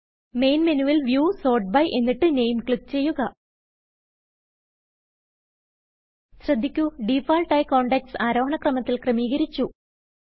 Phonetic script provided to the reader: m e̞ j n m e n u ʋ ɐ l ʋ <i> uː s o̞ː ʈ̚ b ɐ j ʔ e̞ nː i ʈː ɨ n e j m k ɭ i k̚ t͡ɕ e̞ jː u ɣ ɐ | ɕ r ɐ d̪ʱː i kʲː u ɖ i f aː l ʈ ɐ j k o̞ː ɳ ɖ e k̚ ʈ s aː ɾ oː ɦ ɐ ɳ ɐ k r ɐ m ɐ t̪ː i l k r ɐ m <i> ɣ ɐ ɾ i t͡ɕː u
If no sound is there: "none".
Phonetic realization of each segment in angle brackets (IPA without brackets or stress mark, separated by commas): j, iː